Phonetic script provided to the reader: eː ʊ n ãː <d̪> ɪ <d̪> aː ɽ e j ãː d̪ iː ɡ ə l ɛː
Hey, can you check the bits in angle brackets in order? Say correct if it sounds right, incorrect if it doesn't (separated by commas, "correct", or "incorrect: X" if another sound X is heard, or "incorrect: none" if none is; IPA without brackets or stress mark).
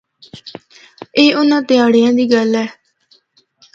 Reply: incorrect: t̪, incorrect: none